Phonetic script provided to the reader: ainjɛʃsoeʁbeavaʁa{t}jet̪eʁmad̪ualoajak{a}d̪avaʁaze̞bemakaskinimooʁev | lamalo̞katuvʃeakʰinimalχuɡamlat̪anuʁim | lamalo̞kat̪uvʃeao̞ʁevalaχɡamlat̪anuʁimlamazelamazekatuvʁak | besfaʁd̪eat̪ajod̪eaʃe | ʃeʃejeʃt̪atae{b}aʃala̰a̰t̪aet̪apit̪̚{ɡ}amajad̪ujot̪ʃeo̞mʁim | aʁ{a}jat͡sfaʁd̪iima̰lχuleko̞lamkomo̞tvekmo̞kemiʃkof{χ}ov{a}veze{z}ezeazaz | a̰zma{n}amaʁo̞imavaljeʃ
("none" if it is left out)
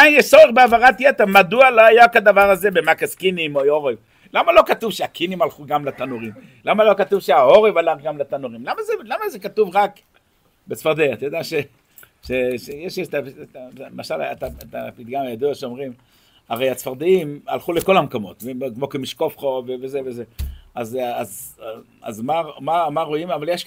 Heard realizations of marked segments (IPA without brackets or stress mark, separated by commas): t, a, m, ɡ, e, χ, e, v, m